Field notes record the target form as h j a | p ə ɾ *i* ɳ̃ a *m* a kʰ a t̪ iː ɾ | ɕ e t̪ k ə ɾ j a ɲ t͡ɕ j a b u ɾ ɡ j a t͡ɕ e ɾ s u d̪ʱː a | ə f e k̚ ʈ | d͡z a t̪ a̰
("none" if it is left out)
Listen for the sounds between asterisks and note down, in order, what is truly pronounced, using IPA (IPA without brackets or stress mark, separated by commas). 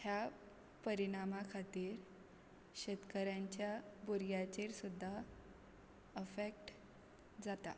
i, m